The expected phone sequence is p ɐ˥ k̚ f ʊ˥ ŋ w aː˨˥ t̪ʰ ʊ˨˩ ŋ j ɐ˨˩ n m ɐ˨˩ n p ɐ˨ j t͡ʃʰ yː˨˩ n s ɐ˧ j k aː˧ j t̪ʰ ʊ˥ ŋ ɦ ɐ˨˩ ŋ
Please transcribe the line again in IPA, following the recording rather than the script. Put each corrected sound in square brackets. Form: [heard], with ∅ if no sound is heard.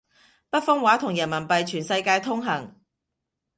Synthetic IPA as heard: p ɐ˥ [t̚] f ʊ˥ ŋ w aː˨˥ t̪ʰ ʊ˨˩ ŋ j ɐ˨˩ n m ɐ˨˩ n p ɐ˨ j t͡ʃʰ yː˨˩ n s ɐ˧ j k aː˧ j t̪ʰ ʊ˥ ŋ ɦ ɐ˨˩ ŋ